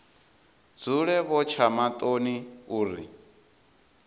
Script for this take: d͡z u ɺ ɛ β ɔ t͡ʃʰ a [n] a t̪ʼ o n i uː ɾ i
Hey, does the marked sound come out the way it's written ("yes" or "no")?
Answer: no